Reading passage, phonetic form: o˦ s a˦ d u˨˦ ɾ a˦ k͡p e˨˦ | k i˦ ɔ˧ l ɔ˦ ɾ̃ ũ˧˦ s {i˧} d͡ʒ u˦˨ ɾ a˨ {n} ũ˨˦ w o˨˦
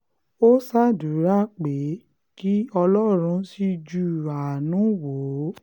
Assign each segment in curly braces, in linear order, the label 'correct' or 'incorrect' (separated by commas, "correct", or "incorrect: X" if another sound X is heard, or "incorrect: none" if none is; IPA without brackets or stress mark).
correct, correct